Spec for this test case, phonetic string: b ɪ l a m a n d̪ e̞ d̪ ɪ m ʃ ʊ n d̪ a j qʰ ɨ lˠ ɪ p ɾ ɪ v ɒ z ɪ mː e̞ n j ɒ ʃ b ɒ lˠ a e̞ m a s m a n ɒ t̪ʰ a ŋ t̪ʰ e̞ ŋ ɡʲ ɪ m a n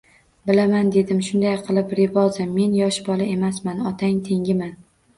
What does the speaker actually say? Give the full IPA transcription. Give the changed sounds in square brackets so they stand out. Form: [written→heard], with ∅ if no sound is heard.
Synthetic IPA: b ɪ l a m a n d̪ e̞ d̪ ɪ m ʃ ʊ n d̪ a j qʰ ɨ lˠ ɪ p ɾ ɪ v ɒ z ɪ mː e̞ n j ɒ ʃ b ɒ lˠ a e̞ m a s m a n ɒ t̪ʰ a ŋ t̪ʰ e̞ ŋ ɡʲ ɪ m a n